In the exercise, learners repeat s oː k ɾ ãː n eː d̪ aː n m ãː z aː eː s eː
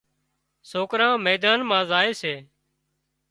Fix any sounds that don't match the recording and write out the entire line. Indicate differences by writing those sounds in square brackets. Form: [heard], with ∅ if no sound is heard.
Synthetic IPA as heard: s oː k ɾ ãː [m] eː d̪ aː n m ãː z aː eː s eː